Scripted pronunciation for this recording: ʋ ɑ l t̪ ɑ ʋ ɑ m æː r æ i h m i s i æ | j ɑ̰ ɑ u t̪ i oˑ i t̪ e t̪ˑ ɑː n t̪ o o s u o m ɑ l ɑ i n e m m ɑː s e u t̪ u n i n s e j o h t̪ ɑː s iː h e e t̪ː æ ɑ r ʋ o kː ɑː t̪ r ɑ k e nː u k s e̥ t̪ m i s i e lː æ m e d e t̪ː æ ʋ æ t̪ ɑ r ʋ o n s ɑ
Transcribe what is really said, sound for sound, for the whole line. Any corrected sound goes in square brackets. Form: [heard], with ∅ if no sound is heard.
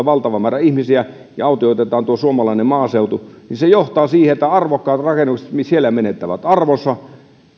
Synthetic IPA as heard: ʋ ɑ l t̪ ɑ ʋ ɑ m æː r æ i h m i s i æ | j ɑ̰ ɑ u t̪ i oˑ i t̪ e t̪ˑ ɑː n t̪ [u] o s u o m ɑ l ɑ i n e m m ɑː s e u t̪ u n i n s e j o h t̪ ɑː s iː h e e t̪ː æ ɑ r ʋ o kː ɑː t̪ r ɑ k e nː u k s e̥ t̪ m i s i e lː æ m e [n] e t̪ː æ ʋ æ t̪ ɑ r ʋ o n s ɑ